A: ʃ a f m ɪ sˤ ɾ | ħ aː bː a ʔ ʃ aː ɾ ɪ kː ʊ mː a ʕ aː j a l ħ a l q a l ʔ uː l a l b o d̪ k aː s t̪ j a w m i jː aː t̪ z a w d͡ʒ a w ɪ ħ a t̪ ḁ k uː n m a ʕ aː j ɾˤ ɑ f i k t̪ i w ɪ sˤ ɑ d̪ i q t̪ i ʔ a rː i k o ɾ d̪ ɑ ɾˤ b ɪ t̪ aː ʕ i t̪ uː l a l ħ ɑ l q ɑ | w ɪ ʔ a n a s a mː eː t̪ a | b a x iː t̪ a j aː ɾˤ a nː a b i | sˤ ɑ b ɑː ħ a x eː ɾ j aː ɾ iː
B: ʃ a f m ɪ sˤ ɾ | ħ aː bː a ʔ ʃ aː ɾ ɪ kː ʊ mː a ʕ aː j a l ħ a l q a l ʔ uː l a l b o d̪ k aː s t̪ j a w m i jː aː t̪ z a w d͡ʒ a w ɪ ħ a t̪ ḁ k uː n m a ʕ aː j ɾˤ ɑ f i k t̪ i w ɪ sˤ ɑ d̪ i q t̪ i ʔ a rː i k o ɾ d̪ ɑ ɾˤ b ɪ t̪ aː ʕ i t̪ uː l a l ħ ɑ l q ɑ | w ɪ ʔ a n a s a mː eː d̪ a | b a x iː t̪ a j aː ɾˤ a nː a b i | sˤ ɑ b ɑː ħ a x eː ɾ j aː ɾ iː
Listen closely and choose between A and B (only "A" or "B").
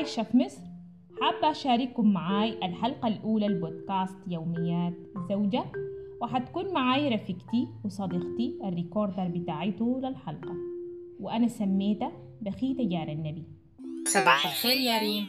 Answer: A